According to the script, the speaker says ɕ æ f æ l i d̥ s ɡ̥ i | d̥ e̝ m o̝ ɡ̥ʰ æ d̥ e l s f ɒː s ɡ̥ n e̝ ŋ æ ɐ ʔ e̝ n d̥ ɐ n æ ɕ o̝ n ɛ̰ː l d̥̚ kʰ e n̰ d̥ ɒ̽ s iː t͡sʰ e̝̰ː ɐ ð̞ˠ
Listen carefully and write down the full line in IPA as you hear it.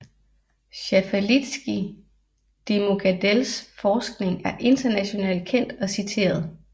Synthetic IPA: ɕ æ f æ l i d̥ s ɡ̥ i | d̥ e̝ m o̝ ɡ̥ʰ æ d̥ e l s f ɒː s ɡ̥ n e̝ ŋ æ ɐ ʔ e̝ n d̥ ɐ n æ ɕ o̝ n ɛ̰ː l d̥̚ kʰ e n̰ d̥ ɒ̽ s i t͡sʰ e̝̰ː ɐ ð̞ˠ